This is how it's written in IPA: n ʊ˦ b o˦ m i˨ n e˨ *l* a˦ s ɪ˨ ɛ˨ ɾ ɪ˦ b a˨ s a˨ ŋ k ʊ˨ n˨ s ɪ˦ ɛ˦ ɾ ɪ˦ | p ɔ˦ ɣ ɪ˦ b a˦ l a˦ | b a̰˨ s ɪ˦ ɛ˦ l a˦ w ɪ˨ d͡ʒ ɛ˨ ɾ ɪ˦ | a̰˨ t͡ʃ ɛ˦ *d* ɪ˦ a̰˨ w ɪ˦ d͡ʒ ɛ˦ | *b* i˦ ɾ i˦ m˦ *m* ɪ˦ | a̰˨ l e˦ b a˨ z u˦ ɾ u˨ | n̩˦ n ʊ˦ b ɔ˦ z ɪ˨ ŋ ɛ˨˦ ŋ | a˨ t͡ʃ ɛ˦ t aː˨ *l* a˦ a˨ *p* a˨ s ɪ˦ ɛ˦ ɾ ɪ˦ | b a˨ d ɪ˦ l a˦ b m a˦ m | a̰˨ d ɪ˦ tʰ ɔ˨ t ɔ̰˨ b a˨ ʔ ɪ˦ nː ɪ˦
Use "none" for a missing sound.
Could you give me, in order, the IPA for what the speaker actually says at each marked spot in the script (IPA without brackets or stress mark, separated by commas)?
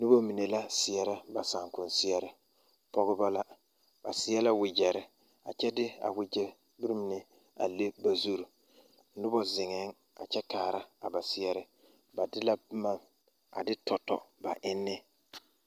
l, d, b, n, ɾ, b